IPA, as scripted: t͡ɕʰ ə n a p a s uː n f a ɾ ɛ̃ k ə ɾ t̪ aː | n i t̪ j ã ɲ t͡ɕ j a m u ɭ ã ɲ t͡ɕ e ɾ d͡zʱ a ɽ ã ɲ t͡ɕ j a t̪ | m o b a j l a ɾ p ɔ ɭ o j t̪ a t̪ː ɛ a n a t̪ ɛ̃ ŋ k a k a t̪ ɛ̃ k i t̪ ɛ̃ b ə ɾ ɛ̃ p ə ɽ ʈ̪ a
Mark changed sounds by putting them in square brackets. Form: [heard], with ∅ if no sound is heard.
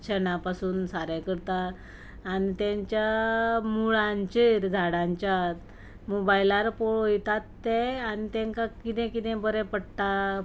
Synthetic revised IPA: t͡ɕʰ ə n a p a s uː n [s] a ɾ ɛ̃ k ə ɾ t̪ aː | n i t̪ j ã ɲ t͡ɕ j a m u ɭ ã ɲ t͡ɕ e ɾ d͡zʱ a ɽ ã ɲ t͡ɕ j a t̪ | m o b a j l a ɾ p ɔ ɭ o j t̪ a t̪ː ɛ a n [i] t̪ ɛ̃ ŋ k a k [i] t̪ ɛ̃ k i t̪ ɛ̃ b ə ɾ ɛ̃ p ə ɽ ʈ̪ a